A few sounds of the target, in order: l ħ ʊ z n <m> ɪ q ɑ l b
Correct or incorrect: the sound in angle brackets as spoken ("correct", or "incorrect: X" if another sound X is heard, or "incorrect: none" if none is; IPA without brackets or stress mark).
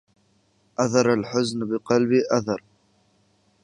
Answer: incorrect: b